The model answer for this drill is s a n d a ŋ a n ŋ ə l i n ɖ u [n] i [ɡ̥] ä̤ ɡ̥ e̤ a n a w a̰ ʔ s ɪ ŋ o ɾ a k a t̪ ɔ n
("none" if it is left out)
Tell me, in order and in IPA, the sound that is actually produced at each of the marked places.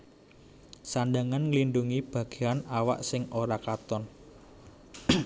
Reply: ŋ, b̥

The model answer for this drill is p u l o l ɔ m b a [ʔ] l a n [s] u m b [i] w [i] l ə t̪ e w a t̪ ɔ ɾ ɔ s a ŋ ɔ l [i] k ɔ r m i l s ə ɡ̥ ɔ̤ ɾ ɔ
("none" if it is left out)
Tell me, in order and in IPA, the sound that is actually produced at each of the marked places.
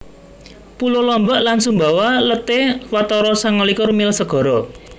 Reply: ʔ, s, a, a, i

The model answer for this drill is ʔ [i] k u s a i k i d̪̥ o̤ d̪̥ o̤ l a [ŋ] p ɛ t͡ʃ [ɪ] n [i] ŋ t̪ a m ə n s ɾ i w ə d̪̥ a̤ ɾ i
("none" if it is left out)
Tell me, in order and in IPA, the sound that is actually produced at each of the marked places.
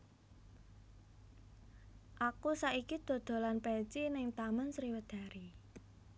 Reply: a, n, i, ɪ

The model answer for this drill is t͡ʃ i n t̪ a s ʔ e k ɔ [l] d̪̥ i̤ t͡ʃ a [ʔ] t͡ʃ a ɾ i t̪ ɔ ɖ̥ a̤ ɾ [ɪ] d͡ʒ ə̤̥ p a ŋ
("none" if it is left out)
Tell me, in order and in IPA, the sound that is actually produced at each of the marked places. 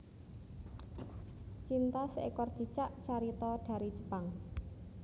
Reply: r, ʔ, i

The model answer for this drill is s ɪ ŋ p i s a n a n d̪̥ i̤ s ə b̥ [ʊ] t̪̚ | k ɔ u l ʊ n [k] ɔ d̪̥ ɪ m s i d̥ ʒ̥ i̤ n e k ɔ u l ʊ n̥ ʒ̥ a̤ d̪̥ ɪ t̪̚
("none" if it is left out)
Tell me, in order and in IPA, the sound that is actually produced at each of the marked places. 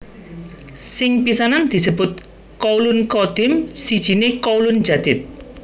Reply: ʊ, k

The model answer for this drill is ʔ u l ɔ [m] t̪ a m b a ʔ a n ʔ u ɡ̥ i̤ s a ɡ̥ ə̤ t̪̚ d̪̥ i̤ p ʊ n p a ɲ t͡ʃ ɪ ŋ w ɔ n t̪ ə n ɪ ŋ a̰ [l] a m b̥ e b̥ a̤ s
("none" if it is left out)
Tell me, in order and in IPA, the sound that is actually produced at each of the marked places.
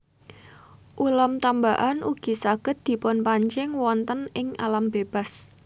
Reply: m, l

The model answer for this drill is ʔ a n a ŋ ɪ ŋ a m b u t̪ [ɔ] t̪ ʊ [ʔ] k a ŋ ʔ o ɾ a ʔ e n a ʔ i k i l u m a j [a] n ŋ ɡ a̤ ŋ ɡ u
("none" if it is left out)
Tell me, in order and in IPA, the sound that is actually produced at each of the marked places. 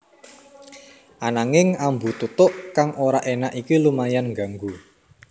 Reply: u, ʔ, a

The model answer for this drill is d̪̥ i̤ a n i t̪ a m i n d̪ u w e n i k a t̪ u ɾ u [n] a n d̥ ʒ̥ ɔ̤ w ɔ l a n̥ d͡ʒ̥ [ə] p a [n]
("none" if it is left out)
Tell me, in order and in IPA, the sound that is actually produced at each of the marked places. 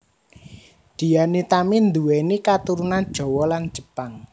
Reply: n, ə, ŋ

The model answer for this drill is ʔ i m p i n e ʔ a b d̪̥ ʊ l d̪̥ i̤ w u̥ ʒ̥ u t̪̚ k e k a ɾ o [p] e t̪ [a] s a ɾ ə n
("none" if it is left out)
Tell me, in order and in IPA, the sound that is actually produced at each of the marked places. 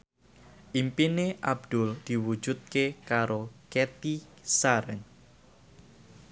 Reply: k, i

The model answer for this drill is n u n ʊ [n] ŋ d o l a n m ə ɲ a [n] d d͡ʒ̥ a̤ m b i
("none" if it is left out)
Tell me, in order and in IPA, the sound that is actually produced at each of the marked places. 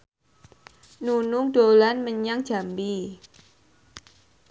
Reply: none, ŋ

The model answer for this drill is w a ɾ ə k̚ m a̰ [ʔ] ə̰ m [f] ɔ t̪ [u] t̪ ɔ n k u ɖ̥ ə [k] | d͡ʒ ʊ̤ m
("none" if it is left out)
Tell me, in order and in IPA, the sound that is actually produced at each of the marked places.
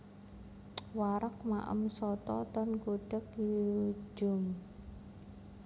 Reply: ʔ, s, ɔ, k

